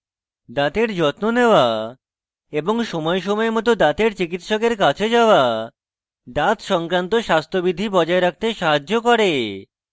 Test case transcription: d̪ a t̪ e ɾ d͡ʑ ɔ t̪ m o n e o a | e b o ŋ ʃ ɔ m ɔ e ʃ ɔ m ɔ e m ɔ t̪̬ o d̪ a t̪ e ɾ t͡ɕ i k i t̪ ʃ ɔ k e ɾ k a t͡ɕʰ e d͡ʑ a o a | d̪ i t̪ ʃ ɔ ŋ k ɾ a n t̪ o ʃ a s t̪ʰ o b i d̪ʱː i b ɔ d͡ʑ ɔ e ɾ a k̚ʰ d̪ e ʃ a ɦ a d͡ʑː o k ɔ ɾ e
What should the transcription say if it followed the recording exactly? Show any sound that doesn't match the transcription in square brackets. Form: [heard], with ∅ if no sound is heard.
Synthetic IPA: d̪ a t̪ e ɾ d͡ʑ ɔ t̪ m o n e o a | e b o ŋ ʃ ɔ m ɔ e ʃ ɔ m ɔ e m ɔ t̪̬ o d̪ a t̪ e ɾ t͡ɕ i k i t̪ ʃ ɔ k e ɾ k a t͡ɕʰ e d͡ʑ a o a | d̪ [a] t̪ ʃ ɔ ŋ k ɾ a n t̪ o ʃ a s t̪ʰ o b i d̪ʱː i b ɔ d͡ʑ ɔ e ɾ a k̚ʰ [t̪] e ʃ a ɦ a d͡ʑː o k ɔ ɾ e